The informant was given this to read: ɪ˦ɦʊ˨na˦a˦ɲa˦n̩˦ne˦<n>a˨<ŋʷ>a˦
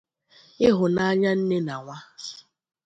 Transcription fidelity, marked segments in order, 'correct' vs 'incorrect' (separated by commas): correct, correct